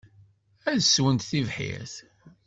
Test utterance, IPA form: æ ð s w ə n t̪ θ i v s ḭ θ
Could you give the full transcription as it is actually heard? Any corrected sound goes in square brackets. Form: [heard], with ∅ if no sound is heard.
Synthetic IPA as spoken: æ ð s w ə n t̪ θ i v [ħ] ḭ θ